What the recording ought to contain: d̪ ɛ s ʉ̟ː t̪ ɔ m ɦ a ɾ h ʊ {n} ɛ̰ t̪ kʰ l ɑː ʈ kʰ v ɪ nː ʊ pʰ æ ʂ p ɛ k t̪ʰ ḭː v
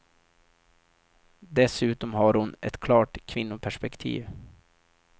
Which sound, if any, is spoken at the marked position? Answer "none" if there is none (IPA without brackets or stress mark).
n